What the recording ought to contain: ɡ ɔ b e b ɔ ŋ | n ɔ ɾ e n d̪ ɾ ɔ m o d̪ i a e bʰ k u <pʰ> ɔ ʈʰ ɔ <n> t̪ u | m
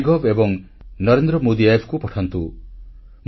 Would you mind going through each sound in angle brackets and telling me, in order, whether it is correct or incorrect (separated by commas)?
incorrect, correct